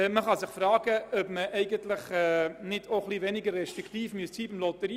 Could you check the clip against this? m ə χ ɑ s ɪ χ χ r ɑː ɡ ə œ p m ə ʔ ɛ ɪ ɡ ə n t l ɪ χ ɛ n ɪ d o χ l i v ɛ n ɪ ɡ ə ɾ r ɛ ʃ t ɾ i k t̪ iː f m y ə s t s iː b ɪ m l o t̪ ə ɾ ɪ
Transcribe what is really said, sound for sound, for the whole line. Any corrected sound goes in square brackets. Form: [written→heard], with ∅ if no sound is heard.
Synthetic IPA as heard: m ə χ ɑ s ɪ χ [χ→f] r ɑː ɡ ə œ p m ə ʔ ɛ ɪ ɡ ə n t l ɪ χ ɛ n ɪ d o χ l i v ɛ n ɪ ɡ ə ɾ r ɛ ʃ t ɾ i k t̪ iː f m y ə s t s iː b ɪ m l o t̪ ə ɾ [ɪ→i]